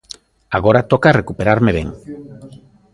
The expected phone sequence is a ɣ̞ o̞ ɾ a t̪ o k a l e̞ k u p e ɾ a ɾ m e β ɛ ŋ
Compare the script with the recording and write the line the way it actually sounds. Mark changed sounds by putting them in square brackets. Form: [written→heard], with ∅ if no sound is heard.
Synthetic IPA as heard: a ɣ̞ o̞ ɾ a t̪ o k a [l→r] e̞ k u p e ɾ a ɾ m e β [ɛ→e] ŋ